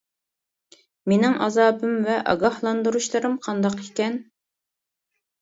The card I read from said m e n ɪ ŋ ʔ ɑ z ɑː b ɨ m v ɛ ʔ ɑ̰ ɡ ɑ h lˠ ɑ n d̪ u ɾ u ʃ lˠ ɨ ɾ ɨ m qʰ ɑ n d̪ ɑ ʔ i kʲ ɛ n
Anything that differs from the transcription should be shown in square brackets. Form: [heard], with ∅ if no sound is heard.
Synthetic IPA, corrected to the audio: m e n ɪ ŋ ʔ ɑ z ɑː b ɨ m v ɛ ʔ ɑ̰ ɡ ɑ h lˠ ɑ n d̪ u ɾ u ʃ lˠ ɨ ɾ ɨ m qʰ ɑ n d̪ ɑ [q] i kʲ ɛ n